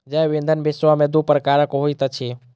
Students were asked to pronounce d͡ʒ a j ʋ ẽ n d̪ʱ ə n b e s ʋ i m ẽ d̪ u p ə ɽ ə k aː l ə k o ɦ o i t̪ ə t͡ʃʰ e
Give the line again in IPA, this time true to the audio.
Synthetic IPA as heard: d͡ʒ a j ʋ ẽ n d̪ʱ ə n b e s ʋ a m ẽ d̪ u p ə ɾ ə k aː ɾ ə k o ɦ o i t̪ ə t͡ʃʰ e